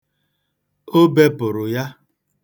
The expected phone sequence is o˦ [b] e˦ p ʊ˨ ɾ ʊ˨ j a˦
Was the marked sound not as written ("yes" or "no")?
no